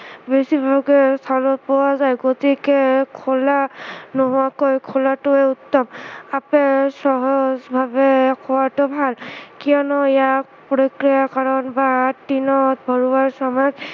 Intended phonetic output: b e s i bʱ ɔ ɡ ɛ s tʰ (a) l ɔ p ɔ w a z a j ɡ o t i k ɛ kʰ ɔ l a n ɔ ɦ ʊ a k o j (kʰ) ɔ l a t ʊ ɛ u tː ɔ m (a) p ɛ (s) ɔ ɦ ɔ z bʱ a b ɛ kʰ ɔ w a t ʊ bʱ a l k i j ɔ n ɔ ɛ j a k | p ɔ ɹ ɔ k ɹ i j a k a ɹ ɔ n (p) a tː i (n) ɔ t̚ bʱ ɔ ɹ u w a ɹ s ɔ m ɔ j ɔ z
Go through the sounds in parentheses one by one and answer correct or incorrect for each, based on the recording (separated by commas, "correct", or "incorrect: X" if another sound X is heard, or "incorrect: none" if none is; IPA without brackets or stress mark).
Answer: correct, correct, correct, correct, incorrect: b, correct